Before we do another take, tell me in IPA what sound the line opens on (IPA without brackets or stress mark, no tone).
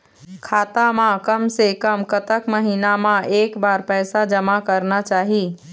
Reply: kʰ